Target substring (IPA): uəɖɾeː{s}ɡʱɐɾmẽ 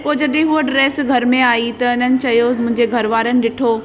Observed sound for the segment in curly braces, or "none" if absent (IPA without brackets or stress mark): s